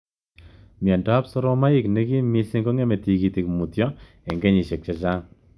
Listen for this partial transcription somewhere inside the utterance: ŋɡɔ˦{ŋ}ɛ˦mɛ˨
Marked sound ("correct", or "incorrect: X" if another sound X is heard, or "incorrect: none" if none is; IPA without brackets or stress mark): correct